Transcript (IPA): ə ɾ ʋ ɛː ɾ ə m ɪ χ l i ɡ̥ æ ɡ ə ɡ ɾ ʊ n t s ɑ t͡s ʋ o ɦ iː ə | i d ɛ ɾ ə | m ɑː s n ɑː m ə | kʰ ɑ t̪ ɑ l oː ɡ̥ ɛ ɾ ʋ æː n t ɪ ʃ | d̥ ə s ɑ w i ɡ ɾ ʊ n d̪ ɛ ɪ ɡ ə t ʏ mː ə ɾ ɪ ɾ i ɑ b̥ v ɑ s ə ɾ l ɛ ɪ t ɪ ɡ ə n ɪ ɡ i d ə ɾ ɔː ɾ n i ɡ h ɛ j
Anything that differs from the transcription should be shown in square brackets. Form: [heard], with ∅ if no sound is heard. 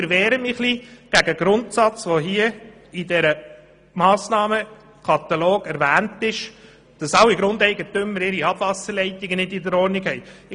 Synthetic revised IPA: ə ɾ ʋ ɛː ɾ ə m ɪ χ l i ɡ̥ æ ɡ ə ɡ ɾ ʊ n t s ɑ t͡s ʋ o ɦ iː ə | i d ɛ ɾ ə | m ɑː s n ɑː m ə | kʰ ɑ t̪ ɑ l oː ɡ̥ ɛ ɾ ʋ æː n t ɪ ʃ | d̥ [ɑ] s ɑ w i ɡ ɾ ʊ n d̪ ɛ ɪ ɡ ə t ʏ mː ə ɾ ɪ ɾ i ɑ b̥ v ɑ s ə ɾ l ɛ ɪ t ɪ ɡ ə n ɪ [d] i d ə ɾ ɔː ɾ n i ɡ h ɛ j